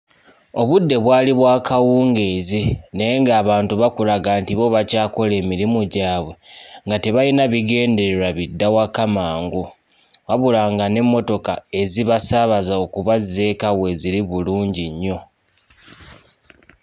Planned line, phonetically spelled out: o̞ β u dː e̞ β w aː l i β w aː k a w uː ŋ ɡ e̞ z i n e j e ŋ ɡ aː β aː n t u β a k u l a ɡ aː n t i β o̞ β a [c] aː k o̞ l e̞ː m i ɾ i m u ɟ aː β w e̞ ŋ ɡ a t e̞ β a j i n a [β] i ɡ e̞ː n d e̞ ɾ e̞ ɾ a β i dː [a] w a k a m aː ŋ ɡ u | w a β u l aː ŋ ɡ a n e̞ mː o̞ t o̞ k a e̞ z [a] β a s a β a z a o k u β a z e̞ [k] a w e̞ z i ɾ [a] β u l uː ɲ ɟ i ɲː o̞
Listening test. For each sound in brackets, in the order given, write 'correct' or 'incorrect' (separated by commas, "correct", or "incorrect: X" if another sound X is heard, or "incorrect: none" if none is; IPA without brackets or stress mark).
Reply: correct, correct, correct, incorrect: i, correct, incorrect: i